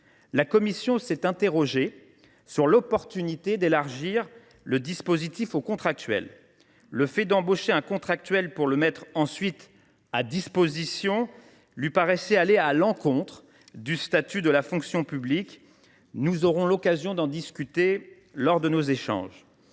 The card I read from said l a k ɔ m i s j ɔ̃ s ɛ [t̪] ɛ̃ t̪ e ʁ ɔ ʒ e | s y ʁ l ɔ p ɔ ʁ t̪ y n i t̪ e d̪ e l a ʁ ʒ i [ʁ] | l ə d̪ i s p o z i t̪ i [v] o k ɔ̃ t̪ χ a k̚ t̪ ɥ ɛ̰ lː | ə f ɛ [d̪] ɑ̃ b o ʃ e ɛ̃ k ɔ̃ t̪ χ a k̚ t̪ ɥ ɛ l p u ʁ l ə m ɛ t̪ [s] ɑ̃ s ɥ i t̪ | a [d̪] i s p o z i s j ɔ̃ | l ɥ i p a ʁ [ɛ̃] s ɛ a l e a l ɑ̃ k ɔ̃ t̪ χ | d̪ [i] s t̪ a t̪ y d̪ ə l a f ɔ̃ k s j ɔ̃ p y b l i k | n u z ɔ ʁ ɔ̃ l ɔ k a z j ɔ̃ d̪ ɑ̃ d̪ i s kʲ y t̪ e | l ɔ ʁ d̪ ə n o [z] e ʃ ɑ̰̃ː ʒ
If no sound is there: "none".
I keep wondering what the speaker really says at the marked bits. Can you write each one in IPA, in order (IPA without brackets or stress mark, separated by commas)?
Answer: t̪, ʁ, f, d̪, χ, d̪, ɛ, y, z